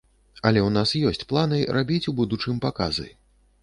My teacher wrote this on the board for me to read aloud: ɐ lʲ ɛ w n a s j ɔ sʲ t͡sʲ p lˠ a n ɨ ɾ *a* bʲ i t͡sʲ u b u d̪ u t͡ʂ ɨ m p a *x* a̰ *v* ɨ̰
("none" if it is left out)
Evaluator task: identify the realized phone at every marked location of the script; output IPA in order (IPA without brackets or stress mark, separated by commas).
a, k, z